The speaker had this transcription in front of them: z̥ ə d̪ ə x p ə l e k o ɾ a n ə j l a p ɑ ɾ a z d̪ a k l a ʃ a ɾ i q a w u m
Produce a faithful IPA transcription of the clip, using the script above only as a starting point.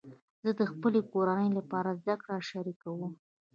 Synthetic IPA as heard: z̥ ə d̪ ə x p ə l e k o ɾ a n ə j l a p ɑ ɾ a z d̪ a k ɽ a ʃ a ɾ i k a w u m